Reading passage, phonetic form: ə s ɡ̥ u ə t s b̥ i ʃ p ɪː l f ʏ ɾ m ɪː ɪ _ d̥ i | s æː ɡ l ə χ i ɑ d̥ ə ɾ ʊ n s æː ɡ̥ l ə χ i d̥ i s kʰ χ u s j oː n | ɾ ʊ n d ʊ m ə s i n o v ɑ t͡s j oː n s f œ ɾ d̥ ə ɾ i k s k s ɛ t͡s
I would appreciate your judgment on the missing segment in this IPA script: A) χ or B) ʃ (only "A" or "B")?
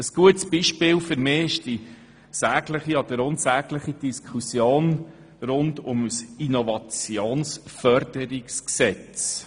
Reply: B